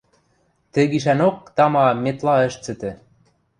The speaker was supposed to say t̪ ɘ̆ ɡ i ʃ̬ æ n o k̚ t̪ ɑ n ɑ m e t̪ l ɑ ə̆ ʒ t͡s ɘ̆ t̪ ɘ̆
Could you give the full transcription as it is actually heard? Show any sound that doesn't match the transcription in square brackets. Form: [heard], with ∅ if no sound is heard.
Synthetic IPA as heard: t̪ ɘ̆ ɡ i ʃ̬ æ n o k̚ t̪ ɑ [m] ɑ m e t̪ l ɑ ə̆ [ʃ] t͡s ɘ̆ t̪ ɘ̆